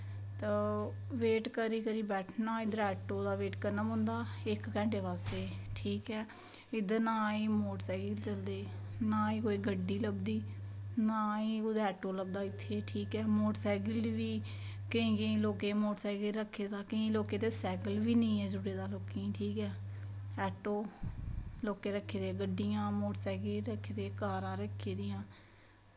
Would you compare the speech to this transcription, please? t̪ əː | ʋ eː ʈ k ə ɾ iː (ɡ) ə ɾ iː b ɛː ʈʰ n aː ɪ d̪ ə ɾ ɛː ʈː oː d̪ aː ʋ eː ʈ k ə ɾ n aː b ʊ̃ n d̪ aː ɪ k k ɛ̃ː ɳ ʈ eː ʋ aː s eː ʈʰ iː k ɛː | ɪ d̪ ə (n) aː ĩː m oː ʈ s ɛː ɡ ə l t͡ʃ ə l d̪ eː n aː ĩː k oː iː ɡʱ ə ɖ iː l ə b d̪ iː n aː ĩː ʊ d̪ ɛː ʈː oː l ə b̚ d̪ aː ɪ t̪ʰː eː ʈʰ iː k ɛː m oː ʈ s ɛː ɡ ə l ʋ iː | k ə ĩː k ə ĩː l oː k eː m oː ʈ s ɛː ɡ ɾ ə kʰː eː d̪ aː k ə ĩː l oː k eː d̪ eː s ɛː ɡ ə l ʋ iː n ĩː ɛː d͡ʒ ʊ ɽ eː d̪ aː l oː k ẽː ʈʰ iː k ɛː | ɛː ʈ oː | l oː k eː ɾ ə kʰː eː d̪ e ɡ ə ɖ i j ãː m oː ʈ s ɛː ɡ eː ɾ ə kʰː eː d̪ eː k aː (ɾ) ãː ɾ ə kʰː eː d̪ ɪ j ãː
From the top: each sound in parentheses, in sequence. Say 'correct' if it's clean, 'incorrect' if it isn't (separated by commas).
incorrect, correct, correct